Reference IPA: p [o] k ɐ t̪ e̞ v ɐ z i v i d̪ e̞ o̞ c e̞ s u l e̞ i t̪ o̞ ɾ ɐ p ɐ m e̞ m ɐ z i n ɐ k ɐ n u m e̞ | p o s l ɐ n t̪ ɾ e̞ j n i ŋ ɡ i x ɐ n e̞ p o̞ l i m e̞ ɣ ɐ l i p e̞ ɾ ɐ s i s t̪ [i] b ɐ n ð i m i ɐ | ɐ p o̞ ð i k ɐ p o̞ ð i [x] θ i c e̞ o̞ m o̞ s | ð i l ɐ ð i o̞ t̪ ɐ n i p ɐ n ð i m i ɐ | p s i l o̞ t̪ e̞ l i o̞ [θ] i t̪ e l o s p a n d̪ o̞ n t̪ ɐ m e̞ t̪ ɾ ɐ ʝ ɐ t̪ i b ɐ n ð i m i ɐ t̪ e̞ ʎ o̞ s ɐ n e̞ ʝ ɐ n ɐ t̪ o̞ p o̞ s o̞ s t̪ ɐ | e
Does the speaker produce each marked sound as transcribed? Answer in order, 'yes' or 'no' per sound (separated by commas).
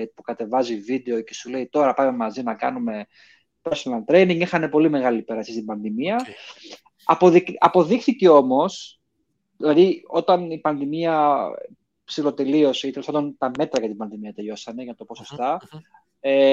no, yes, yes, no